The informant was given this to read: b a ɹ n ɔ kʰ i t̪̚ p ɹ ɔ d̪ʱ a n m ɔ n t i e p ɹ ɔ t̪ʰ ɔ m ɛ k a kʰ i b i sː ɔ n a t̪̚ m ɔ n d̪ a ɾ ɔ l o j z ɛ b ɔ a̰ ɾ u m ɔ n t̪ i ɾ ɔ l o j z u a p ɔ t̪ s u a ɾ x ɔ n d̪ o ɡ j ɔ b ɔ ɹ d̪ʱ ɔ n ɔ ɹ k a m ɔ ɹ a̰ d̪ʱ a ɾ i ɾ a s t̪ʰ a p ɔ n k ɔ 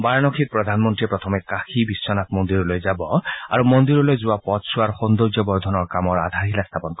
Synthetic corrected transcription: b a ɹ n ɔ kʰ i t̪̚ p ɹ ɔ d̪ʱ a n m ɔ n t i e p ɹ ɔ t̪ʰ ɔ m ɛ k a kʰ i b i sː ɔ n a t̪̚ m ɔ n d̪ i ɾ ɔ l o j z a b ɔ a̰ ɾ u m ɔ n d̪ i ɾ ɔ l o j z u a p ɔ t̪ s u a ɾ x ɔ n d̪ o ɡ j ɔ b ɔ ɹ d̪ʱ ɔ n ɔ ɹ k a m ɔ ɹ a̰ d̪ʱ a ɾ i l a s t̪ʰ a p ɔ n k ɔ